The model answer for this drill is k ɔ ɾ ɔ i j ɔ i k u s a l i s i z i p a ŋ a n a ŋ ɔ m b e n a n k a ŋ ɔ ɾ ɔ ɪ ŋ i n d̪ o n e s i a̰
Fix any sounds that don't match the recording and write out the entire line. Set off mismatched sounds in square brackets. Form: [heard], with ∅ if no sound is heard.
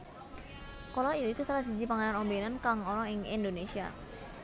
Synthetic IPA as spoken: k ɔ [l] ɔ i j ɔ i k u s a l [a] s i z i p a ŋ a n a [n] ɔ m b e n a n k a ŋ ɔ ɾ ɔ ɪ ŋ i n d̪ o n e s i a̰